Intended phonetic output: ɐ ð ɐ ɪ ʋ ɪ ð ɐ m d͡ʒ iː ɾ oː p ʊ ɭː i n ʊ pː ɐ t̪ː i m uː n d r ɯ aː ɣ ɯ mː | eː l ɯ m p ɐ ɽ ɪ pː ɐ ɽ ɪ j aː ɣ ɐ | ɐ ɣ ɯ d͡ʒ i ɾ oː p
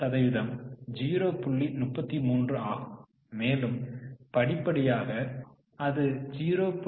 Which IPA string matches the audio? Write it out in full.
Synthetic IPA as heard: ɐ ð ɐ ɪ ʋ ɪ ð ɐ m d͡ʒ iː ɾ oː p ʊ ɭː i n ʊ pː ɐ t̪ː i m uː n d r ɯ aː ɣ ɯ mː | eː l ɯ m p ɐ ɽ ɪ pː ɐ ɽ ɪ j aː ɣ ɐ | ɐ ð ɯ d͡ʒ iː ɾ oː p